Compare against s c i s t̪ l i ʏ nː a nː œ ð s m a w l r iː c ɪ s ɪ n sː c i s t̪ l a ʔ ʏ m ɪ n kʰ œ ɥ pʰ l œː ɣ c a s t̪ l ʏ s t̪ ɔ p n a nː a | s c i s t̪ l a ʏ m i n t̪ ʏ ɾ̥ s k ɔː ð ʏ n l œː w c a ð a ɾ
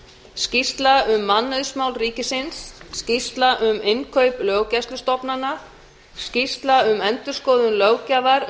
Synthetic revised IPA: s c i s t̪ l a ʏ mː a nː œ ð s m a w l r iː c ɪ s ɪ n sː c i s t̪ l a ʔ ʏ m ɪ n kʰ œ ɥ p l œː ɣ c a s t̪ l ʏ s t̪ ɔ p n a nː a | s c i s t̪ l a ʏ m ɛ n t̪ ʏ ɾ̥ s k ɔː ð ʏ n l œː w c a v a ɾ